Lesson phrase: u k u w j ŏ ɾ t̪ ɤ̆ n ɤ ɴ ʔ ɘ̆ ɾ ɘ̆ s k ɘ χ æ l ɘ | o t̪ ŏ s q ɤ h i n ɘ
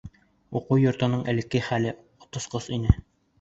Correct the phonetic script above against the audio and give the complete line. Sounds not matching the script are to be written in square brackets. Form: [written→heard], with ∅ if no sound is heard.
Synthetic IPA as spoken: u [k→q] u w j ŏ ɾ t̪ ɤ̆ n ɤ ɴ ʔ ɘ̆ [ɾ→l] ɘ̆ [s→∅] k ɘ χ æ l ɘ | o t̪ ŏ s q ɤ [h→s] i n ɘ